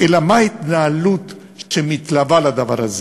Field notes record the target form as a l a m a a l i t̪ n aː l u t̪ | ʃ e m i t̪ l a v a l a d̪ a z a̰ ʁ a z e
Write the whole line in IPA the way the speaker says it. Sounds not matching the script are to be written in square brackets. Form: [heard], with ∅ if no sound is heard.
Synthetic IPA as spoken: [e] l a m a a [∅] i t̪ n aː l u t̪ | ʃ e m i t̪ l a v a l a d̪ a [v] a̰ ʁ a z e